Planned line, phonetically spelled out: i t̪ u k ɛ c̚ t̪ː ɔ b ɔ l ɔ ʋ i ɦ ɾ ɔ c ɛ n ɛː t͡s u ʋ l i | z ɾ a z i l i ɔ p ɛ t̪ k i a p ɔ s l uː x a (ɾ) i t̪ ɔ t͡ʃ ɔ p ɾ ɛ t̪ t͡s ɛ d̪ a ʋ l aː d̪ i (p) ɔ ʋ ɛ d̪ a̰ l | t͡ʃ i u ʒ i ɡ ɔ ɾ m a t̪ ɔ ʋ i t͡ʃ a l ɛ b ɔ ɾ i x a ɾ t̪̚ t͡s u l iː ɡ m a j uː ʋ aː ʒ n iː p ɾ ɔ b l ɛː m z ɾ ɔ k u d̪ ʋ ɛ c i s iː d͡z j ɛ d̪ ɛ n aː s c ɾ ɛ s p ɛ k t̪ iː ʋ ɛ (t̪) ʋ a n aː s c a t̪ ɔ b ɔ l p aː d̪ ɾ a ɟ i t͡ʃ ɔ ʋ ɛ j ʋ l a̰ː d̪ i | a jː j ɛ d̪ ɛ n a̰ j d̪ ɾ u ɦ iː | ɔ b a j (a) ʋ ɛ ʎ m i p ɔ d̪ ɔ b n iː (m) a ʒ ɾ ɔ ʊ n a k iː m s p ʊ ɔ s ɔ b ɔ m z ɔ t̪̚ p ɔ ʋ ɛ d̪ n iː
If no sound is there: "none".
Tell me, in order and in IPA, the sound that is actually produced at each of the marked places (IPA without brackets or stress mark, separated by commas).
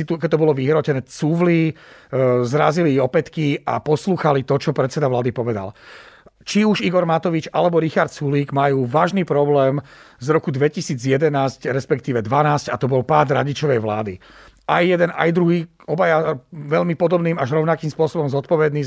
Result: l, p, d̪, a, m